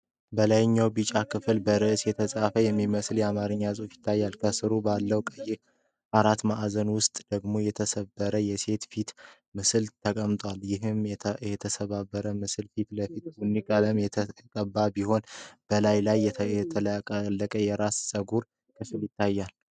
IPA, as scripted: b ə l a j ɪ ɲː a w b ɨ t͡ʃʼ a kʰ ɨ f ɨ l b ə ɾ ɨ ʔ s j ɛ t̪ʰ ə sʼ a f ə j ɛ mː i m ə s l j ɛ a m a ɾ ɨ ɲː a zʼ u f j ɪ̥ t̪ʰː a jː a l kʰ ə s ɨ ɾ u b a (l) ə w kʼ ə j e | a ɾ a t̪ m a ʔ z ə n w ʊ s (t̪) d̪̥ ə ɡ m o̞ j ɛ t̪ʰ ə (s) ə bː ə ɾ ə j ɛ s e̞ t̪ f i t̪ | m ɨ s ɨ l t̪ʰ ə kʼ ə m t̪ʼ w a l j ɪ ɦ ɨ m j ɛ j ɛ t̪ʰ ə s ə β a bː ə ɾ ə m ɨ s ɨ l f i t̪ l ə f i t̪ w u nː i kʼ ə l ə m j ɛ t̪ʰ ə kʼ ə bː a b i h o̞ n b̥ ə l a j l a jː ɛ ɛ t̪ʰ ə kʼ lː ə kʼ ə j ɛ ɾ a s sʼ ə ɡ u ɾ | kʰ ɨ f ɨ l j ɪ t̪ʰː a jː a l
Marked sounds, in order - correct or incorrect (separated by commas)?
incorrect, incorrect, correct